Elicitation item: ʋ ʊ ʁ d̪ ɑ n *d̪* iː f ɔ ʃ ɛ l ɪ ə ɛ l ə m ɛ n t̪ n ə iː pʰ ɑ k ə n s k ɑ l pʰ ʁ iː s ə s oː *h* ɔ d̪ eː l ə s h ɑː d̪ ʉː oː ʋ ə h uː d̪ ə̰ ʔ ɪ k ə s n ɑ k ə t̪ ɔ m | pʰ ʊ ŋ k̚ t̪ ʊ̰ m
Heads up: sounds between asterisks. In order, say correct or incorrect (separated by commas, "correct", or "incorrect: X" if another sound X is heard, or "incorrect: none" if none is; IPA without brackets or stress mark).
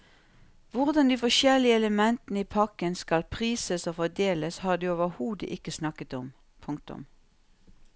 correct, incorrect: f